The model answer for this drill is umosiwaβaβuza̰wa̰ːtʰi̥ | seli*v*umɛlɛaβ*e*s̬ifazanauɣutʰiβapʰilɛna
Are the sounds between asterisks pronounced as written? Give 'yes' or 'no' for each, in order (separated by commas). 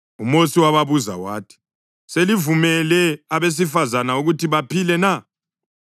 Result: yes, yes